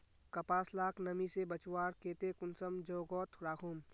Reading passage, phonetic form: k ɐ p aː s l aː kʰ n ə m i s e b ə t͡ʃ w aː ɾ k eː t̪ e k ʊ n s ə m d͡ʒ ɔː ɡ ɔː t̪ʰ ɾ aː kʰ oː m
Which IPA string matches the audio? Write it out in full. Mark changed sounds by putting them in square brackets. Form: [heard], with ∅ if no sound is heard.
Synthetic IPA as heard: k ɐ p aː s l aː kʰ n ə m i s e b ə t͡ʃ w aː ɾ k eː t̪ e k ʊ n s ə m d͡ʒ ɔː ɡ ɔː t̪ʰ ɾ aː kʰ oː m